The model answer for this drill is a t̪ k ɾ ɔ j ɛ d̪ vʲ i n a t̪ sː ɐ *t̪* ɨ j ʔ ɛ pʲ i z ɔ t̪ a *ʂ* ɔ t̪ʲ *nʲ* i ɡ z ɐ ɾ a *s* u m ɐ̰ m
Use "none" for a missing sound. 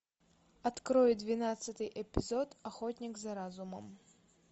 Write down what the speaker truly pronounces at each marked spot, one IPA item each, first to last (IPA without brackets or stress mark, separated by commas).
t̪, x, nʲ, z